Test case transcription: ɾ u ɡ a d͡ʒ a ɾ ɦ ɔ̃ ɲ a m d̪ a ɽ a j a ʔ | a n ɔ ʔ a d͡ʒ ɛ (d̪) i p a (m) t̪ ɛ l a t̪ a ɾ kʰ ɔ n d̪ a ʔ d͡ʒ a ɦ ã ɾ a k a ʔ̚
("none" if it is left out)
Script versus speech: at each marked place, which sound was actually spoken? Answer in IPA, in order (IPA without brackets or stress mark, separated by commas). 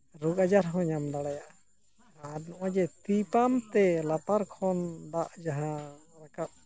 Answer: t̪, m